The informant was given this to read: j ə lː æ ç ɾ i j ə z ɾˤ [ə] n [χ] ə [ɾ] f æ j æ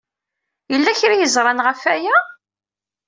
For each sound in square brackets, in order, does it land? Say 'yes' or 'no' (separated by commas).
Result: no, no, no